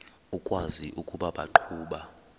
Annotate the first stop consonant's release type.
ejective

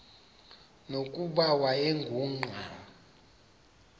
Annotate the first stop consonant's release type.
ejective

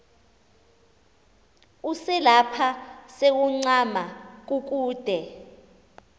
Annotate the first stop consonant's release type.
aspirated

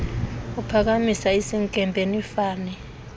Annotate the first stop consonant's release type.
aspirated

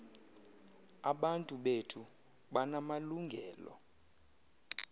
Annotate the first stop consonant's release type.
implosive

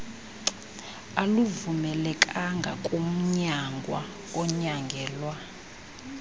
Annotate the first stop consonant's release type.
ejective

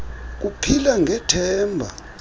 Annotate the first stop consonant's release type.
plain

